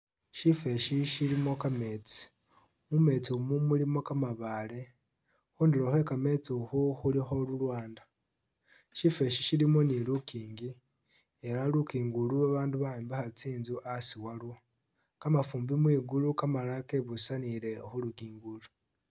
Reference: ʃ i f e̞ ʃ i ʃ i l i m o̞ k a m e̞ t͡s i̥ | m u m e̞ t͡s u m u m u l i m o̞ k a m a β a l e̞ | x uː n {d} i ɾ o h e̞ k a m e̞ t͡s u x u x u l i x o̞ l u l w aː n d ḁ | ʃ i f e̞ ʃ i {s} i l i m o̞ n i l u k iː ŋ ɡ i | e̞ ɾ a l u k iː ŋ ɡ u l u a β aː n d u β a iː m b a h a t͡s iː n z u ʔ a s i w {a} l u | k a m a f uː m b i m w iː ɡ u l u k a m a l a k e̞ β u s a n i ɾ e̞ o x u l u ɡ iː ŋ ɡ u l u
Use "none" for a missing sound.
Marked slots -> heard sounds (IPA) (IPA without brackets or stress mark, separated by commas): d, ʃ, a